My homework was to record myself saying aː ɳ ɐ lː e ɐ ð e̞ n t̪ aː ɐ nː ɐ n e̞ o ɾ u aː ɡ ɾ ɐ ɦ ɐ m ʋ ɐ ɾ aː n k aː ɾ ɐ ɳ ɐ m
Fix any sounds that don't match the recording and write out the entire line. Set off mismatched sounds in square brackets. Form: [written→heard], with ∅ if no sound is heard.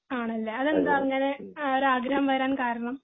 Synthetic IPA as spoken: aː ɳ ɐ lː e ɐ ð e̞ n [t̪→d̪] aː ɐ [nː→ŋː] ɐ n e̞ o ɾ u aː ɡ ɾ ɐ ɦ ɐ m ʋ ɐ ɾ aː n k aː ɾ ɐ ɳ ɐ m